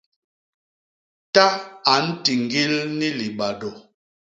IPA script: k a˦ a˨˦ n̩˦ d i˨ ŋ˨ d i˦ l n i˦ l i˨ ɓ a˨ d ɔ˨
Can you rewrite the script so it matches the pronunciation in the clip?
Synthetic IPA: t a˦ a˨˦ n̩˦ t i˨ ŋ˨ ɡ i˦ l n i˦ l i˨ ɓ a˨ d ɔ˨